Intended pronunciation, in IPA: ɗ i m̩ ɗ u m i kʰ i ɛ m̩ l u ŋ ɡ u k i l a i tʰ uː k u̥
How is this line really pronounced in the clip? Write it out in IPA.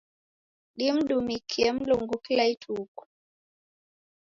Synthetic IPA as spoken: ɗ i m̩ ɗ u m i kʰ i ɛ m̩ l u ŋ ɡ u k i l a i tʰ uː k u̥